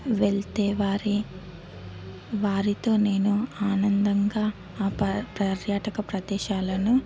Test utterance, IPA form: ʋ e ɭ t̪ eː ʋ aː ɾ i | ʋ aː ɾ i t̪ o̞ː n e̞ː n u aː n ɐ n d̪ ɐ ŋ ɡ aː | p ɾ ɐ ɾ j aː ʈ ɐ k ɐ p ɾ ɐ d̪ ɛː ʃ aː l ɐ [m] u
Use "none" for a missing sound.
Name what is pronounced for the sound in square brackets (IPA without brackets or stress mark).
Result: n